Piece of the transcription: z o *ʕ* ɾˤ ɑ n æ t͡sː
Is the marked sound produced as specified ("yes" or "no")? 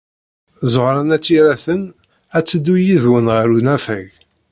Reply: no